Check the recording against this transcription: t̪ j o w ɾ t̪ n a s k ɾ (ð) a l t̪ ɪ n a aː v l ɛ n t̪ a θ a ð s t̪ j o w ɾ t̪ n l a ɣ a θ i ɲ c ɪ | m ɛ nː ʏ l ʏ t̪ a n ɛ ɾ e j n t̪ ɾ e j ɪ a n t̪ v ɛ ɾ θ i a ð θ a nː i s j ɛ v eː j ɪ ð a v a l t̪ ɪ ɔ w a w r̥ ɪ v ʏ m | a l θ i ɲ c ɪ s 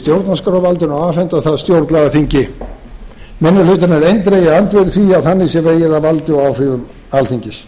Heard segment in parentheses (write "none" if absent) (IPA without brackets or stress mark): v